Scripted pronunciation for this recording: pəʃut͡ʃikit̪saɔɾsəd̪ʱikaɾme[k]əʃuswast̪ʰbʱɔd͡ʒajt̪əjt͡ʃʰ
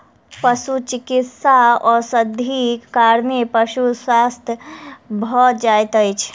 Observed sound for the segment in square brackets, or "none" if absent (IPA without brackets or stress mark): p